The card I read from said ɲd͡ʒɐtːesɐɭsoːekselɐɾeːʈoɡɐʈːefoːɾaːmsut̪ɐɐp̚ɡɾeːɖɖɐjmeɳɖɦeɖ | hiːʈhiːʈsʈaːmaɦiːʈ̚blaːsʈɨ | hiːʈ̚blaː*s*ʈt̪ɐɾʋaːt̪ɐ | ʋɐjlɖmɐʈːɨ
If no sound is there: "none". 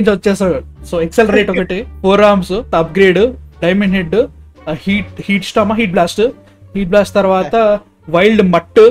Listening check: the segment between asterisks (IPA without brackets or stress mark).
s